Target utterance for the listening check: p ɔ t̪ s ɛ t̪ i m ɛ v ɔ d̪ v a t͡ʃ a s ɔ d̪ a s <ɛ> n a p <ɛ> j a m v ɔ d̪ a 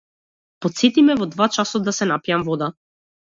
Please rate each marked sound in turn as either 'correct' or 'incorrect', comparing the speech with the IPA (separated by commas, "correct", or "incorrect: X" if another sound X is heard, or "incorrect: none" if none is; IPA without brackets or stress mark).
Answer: correct, incorrect: i